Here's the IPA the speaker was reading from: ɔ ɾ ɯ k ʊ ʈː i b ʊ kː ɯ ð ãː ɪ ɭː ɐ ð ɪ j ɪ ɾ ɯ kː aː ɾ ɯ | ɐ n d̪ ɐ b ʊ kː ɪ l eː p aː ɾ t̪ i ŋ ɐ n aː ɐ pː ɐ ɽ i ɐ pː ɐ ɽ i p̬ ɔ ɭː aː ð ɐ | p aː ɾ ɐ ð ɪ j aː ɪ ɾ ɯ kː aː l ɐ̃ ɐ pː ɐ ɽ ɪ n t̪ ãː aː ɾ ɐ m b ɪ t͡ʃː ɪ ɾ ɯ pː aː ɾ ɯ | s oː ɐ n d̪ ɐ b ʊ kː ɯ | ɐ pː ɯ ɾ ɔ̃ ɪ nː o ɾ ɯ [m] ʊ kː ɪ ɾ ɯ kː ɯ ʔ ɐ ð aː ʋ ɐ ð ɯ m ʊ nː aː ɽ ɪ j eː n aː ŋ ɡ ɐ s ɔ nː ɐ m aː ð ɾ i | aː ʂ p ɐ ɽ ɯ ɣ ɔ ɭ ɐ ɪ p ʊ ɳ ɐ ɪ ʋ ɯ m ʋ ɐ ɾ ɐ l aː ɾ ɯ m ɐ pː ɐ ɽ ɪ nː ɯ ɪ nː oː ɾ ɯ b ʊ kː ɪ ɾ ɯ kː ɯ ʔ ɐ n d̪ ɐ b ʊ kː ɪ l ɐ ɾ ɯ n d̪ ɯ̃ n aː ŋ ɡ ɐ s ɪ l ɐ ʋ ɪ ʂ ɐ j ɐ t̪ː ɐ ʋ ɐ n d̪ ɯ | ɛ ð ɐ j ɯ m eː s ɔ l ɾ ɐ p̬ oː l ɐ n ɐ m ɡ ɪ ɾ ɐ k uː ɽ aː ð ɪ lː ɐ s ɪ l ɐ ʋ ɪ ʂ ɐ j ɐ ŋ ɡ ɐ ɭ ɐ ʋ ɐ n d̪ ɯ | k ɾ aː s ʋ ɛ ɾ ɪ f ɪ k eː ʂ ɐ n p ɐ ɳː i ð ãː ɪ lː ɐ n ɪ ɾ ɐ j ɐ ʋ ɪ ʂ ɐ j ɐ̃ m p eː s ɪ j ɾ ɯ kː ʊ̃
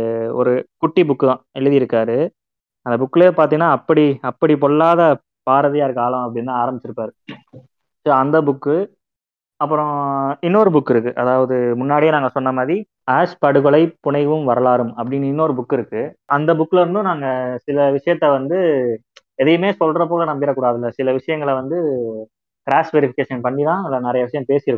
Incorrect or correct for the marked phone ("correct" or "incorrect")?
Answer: incorrect